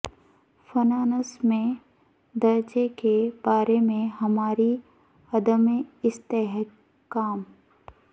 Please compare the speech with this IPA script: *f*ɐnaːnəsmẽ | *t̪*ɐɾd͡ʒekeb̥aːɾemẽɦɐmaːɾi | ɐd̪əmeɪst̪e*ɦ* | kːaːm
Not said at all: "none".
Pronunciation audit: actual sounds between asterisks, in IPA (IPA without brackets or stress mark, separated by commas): f, d̪, ɦ